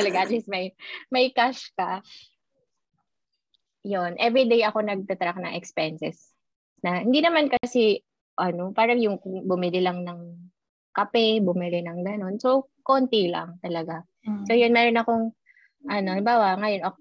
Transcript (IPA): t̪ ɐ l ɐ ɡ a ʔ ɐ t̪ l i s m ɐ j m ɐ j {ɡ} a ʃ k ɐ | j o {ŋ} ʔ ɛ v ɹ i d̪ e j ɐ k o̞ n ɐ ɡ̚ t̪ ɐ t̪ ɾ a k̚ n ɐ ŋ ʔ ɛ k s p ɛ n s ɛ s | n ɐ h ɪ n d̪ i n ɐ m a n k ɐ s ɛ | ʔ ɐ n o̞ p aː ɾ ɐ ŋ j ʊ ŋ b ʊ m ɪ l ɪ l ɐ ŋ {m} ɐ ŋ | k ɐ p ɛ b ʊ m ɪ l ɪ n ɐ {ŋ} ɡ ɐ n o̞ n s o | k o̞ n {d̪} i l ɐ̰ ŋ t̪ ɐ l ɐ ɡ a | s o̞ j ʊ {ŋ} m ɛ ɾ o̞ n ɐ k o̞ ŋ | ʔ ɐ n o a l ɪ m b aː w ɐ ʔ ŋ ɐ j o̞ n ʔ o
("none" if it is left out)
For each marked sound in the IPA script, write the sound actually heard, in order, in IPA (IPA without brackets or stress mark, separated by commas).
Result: k, n, n, ŋ, t̪, n